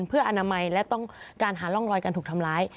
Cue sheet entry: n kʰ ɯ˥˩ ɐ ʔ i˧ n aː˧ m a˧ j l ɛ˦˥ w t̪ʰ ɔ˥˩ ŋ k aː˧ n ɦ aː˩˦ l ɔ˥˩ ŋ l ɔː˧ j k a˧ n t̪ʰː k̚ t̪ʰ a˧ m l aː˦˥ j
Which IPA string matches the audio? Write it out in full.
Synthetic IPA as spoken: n pʰ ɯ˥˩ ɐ ʔ a˧ n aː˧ m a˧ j l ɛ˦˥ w t̪ ɔ˥˩ ŋ k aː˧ n ɦ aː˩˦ l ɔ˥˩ ŋ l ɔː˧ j k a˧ n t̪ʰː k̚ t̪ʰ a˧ m l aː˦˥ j